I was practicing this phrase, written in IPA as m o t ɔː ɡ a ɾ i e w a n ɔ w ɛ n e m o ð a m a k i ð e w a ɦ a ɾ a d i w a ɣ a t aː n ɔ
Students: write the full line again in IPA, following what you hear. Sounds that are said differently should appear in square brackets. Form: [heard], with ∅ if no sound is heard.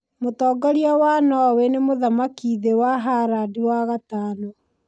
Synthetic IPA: m o t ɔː ɡ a ɾ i [a] w a n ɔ w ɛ n e m o ð a m a k i ð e w a ɦ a ɾ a d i w a ɣ a t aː n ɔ